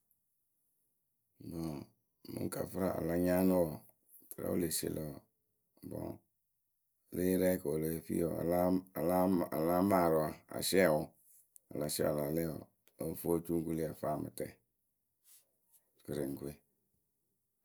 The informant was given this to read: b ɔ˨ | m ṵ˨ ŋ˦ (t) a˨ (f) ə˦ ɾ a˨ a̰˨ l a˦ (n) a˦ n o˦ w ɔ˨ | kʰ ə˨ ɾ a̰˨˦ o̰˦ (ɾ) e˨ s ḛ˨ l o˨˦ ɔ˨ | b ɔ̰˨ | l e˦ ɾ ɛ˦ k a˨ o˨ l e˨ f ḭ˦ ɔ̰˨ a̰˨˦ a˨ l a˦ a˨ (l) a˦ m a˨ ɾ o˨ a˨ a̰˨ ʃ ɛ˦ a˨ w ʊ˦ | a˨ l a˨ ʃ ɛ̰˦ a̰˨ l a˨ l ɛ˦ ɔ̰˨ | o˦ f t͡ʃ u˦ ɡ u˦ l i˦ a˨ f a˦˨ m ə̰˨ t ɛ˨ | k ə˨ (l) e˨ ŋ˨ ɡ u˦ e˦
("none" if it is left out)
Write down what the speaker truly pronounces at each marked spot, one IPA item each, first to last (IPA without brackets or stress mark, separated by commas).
k, f, ɲ, l, l, ɾ